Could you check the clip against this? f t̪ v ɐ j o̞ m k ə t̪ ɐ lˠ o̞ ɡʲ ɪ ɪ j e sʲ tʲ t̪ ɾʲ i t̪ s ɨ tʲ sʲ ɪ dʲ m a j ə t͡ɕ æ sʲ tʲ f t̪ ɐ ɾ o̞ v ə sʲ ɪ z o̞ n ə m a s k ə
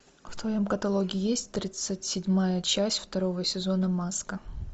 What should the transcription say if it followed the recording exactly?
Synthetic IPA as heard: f t̪ v ɐ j o̞ m k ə t̪ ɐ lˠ o̞ ɡʲ ɪ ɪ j e sʲ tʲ t̪ ɾʲ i t̪ s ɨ tʲ sʲ ɪ dʲ m a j ə t͡ɕ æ sʲ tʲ f t̪ ɐ ɾ o̞ v ə sʲ ɪ z o̞ n ə m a s k ə